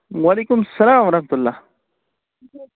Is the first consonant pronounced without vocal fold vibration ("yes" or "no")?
no